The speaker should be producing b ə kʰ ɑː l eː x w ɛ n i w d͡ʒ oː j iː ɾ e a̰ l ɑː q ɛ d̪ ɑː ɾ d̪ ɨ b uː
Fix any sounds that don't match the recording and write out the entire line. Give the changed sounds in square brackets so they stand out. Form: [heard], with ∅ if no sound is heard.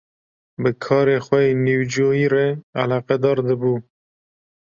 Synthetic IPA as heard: b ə kʰ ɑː [ɾ] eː x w ɛ n i w d͡ʒ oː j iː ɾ e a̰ l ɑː q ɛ d̪ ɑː ɾ d̪ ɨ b uː